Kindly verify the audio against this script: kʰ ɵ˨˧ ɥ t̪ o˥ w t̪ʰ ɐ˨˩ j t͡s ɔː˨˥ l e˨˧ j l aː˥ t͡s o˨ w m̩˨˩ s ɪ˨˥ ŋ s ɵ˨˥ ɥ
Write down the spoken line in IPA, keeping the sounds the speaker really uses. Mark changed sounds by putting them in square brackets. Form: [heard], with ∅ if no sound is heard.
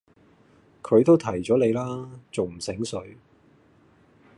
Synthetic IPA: kʰ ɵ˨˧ ɥ t̪ o˥ w t̪ʰ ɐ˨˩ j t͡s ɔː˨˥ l e˨˧ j l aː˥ t͡s o˨ w m̩˨˩ s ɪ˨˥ ŋ s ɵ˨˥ ɥ